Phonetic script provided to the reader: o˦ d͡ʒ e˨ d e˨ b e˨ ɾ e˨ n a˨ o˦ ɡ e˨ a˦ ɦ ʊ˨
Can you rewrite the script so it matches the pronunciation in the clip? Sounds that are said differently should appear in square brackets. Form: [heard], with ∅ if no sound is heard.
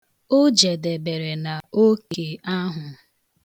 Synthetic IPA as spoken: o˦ d͡ʒ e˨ d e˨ b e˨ ɾ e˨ n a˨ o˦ [k] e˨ a˦ ɦ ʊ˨